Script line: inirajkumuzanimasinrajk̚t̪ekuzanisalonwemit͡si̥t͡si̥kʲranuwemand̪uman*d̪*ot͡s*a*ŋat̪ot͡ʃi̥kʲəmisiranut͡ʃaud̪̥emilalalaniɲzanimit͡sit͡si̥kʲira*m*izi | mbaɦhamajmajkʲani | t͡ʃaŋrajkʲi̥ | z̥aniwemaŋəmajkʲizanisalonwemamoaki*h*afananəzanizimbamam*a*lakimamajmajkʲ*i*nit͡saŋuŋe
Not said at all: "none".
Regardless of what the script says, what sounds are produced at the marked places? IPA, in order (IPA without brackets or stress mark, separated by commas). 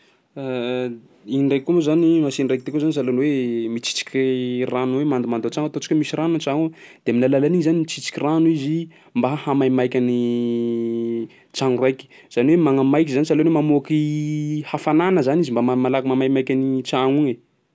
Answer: d̪, a, n, h, a, a